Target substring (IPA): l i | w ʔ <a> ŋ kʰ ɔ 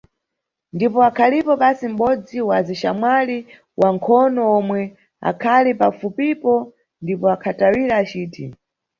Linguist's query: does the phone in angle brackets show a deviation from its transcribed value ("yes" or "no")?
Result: no